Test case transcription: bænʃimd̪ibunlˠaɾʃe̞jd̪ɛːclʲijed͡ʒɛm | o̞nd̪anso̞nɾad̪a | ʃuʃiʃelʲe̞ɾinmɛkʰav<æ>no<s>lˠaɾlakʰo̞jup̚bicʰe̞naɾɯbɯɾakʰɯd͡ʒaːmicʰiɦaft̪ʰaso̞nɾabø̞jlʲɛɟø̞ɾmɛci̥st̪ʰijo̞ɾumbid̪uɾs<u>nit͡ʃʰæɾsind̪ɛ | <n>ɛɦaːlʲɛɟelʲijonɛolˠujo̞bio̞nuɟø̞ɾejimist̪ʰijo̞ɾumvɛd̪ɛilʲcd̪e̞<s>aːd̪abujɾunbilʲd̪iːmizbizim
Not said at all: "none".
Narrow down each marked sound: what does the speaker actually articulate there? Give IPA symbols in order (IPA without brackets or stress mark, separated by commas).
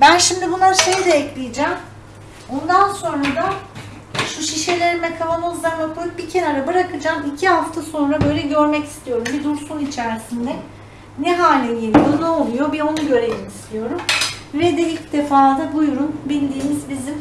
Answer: a, z, u, n, f